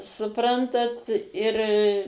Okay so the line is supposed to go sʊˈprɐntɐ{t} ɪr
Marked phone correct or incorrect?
correct